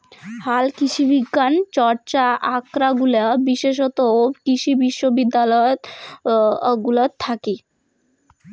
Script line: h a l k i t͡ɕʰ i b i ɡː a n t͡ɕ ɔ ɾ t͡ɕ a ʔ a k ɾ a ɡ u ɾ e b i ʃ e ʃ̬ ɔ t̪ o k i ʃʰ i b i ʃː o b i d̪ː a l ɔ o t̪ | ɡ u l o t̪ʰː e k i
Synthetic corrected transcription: h a l k i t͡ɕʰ i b i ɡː a n t͡ɕ ɔ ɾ t͡ɕ a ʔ a k ɾ a ɡ u l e b i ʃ e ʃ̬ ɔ t̪ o k i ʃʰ i b i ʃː o b i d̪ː a l ɔ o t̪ | ɡ u l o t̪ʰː a k i